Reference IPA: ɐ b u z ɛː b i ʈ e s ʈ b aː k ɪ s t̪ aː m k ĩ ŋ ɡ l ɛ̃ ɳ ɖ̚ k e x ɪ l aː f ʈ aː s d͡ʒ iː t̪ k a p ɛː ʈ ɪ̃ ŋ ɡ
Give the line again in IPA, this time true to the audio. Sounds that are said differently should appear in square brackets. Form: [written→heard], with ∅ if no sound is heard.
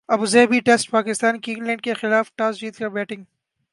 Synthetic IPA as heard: ɐ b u z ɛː b i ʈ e s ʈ [b→p] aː k ɪ s t̪ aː [m→n] k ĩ ŋ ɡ l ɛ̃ ɳ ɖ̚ k e x ɪ l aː f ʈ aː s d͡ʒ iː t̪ k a [p→b] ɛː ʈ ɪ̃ ŋ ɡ